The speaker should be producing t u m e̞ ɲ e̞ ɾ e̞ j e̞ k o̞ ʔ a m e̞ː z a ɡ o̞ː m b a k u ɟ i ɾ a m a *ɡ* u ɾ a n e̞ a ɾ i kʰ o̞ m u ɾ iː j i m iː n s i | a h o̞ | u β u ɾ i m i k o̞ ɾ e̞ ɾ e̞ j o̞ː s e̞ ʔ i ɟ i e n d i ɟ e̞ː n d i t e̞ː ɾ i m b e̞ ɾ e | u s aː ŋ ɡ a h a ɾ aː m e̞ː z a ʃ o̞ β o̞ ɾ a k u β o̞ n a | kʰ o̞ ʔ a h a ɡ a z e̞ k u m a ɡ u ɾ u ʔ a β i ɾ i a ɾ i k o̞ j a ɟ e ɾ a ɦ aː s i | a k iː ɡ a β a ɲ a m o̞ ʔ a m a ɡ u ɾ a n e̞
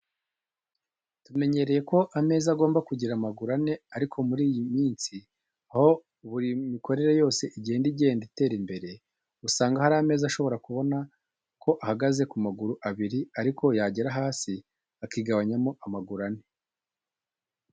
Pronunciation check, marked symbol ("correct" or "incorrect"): correct